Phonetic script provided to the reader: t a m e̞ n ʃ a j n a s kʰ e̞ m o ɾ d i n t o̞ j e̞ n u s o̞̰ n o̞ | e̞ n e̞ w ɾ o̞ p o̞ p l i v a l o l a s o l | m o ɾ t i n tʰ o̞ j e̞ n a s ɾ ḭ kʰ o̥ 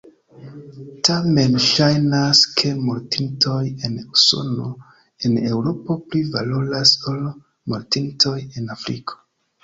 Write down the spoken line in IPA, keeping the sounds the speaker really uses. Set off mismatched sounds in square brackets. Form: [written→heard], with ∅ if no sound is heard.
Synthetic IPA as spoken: t a m e̞ n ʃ a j n a s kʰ e̞ m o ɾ [d→t] i n t o̞ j e̞ n u s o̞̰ n o̞ | e̞ n e̞ w ɾ o̞ p o̞ p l i v a l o l a s o l | m o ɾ t i n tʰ o̞ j e̞ n a [s→f] ɾ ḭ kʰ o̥

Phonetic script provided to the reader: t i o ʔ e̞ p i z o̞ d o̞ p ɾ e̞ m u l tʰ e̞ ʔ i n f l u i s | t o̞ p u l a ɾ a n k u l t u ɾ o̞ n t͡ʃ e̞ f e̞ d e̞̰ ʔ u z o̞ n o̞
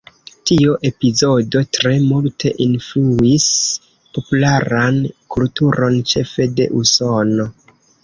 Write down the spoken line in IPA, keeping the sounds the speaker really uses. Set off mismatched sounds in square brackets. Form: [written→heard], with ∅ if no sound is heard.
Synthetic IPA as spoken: t i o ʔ e̞ p i z o̞ d o̞ [p→t] ɾ e̞ m u l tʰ e̞ ʔ i n f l u i s | [t→p] o̞ p u l a ɾ a n k u l t u ɾ o̞ n t͡ʃ e̞ f e̞ d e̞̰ ʔ u [z→s] o̞ n o̞

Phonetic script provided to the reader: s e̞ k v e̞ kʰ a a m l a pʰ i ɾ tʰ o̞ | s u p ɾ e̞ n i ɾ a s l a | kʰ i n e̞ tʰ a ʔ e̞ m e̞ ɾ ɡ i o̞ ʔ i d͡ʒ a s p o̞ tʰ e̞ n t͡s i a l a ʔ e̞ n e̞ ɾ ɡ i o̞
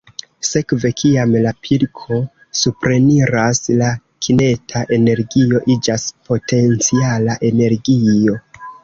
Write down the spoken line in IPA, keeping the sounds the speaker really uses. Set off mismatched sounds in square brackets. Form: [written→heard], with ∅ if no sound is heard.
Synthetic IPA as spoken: s e̞ k v e̞ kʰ [a→i] a m l a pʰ i ɾ [tʰ→kʰ] o̞ | s u p ɾ e̞ n i ɾ a s l a | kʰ i n e̞ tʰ a ʔ e̞ [m→n] e̞ ɾ ɡ i o̞ ʔ i d͡ʒ a s p o̞ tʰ e̞ n t͡s i a l a ʔ e̞ n e̞ ɾ ɡ i o̞

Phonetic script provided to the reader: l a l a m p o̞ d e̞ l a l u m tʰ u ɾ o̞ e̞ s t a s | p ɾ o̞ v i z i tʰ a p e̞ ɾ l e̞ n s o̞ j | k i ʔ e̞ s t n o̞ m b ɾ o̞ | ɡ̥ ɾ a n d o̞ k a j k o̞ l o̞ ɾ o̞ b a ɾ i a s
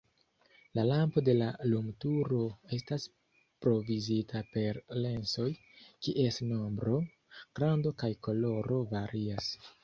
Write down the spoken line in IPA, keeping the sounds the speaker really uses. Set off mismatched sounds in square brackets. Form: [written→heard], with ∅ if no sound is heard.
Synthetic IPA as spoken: l a l a m p o̞ d e̞ l a l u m [tʰ→t] u ɾ o̞ e̞ s t a s | p ɾ o̞ v i z i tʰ a p e̞ ɾ l e̞ n s o̞ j | k i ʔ e̞ s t n o̞ m b ɾ o̞ | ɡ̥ ɾ a n d o̞ k a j k o̞ l o̞ ɾ o̞ [b→v] a ɾ i a s

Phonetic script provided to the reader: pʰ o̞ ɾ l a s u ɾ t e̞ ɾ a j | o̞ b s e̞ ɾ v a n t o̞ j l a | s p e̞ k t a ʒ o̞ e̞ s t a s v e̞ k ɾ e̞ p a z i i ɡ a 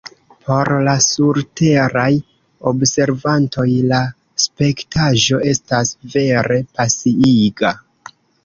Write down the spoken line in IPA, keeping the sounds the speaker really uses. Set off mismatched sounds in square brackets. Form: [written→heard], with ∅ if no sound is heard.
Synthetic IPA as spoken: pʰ o̞ ɾ l a s u ɾ t e̞ ɾ a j | o̞ b s e̞ ɾ v a n t o̞ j l a | s p e̞ k t a ʒ o̞ e̞ s t a s v e̞ [k→∅] ɾ e̞ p a [z→s] i i ɡ a

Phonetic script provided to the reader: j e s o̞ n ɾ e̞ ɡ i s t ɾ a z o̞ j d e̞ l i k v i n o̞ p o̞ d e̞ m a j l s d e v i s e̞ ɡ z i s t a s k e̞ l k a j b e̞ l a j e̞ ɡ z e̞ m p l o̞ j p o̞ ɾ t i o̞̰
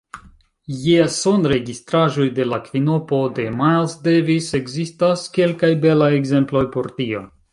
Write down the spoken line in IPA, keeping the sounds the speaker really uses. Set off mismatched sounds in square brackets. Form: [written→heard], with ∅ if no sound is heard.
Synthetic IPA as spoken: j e s o̞ n ɾ e̞ ɡ i s t ɾ a [z→ʒ] o̞ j d e̞ l [i→a] k v i n o̞ p o̞ d e̞ m a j l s d e v i s e̞ ɡ z i s t a s k e̞ l k a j b e̞ l a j e̞ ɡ z e̞ m p l o̞ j p o̞ ɾ t i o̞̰

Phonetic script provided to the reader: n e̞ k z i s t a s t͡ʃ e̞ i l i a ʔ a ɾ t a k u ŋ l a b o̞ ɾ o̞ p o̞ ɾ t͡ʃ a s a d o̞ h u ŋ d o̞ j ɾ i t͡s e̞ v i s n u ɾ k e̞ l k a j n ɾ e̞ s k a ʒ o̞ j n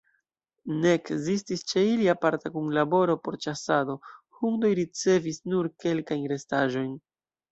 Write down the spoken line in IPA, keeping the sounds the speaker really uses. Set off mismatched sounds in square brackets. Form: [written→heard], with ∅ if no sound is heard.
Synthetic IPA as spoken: n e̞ k z i s t [a→i] s t͡ʃ e̞ i l i a [ʔ→p] a ɾ t a k u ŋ l a b o̞ ɾ o̞ p o̞ ɾ t͡ʃ a s a d o̞ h u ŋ d o̞ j ɾ i t͡s e̞ v i s n u ɾ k e̞ l k a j n ɾ e̞ s [k→t] a ʒ o̞ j n

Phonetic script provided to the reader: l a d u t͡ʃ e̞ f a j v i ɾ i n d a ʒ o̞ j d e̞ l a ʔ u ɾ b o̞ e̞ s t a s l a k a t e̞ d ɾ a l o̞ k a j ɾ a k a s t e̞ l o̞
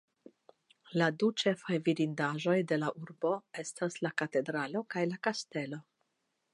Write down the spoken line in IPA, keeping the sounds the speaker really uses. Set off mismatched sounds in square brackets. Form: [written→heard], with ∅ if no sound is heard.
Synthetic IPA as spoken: l a d u t͡ʃ e̞ f a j v i ɾ i n d a ʒ o̞ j d e̞ l a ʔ u ɾ b o̞ e̞ s t a s l a k a t e̞ d ɾ a l o̞ k a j [ɾ→l] a k a s t e̞ l o̞

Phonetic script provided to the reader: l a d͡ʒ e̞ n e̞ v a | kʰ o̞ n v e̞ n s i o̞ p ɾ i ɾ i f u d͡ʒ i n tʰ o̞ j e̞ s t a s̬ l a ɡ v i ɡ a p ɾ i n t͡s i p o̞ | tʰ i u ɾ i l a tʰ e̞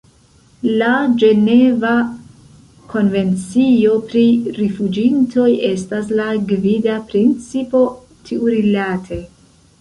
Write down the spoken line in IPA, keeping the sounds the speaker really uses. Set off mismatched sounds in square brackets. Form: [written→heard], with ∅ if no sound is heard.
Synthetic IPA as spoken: l a d͡ʒ e̞ n e̞ v a | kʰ o̞ n v e̞ n [s→t͡s] i o̞ p ɾ i ɾ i f u d͡ʒ i n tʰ o̞ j e̞ s t a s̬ l a ɡ v i [ɡ→d] a p ɾ i n t͡s i p o̞ | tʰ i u ɾ i l a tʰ e̞

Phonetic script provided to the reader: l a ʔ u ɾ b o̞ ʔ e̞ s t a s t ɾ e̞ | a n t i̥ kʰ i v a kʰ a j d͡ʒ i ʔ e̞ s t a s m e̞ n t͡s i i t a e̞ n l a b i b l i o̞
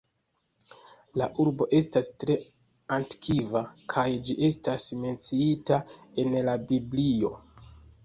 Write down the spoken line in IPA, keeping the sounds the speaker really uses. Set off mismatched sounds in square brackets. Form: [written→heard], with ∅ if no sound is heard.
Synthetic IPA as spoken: l a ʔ u ɾ b o̞ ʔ e̞ s t a s t ɾ e̞ | a n t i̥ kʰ i v a kʰ a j d͡ʒ i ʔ e̞ s t a s m e̞ n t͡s i i t a e̞ n l a b i b l i o̞

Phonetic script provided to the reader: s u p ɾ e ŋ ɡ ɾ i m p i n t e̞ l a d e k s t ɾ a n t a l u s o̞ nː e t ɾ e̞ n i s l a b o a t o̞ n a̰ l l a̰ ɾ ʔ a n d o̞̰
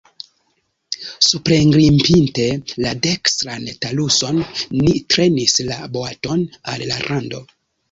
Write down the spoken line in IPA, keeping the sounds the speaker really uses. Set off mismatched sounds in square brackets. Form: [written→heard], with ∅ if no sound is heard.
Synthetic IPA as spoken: s u p ɾ e ŋ ɡ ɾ i m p i n t e̞ l a d e k s t ɾ a n t a l u s o̞ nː [e→i] t ɾ e̞ n i s l a b o a t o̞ n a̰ l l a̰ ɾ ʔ a n d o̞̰

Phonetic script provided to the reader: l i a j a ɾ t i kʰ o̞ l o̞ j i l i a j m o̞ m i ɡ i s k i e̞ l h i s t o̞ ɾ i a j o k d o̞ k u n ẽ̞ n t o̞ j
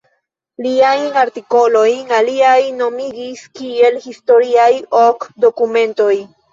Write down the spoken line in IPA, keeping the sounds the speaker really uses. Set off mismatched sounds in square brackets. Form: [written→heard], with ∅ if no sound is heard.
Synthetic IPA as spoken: l i a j a ɾ t i [kʰ→k] o̞ l o̞ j [i→a] l i a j [m→n] o̞ m i ɡ i s k i e̞ l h i s t o̞ ɾ i a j o k d o̞ k u [n→m] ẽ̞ n t o̞ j

